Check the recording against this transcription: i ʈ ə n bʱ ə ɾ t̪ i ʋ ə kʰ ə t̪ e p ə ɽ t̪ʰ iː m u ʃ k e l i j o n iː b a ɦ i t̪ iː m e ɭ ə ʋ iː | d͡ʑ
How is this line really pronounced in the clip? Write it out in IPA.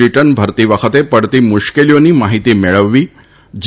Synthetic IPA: i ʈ ə n bʱ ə ɾ t̪ i ʋ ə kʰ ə t̪ e p ə ɽ t̪ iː m u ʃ k e l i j o n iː m a ɦ i t̪ iː m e ɭ ə ʋː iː | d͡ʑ